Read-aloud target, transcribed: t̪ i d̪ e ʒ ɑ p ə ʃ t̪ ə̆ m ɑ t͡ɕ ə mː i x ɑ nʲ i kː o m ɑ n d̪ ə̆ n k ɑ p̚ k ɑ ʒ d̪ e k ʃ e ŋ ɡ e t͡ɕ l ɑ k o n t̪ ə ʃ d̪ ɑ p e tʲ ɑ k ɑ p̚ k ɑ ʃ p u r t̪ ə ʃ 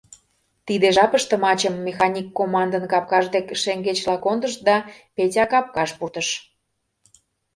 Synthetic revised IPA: t̪ i d̪ e ʒ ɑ p ə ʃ t̪ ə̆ m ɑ t͡ɕ ə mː e x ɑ nʲ i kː o m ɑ n d̪ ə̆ n k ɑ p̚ k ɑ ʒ d̪ e k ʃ e ŋ ɡ e t͡ɕ l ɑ k o n d̪ ə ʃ d̪ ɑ p e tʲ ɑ k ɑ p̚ k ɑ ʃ p u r t̪ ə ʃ